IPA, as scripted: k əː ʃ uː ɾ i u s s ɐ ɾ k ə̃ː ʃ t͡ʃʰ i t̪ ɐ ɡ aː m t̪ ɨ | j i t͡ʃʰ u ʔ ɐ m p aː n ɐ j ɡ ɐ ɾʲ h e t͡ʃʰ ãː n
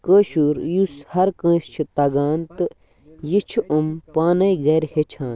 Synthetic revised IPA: k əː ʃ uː ɾ j u s h ɐ ɾ k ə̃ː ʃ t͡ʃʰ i t̪ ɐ ɡ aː n t̪ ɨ | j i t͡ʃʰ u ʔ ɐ m p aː n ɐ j ɡ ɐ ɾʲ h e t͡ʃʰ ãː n